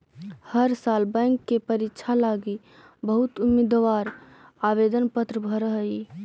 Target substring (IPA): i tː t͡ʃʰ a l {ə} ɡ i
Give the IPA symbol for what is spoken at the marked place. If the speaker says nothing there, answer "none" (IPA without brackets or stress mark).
a